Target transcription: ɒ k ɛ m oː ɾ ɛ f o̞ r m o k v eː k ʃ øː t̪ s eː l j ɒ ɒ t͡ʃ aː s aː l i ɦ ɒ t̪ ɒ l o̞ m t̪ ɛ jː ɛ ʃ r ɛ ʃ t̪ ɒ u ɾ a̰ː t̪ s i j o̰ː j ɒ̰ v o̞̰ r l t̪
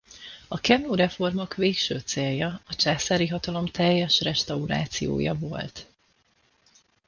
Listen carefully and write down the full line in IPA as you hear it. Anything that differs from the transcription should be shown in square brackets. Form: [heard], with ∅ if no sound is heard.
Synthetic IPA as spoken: ɒ k ɛ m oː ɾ ɛ f o̞ r m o k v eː k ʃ øː t̪ s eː l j ɒ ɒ t͡ʃ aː s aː [ɾ] i ɦ ɒ t̪ ɒ l o̞ m t̪ ɛ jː ɛ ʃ r ɛ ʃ t̪ ɒ u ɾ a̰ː t̪ s i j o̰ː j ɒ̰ v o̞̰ [∅] l t̪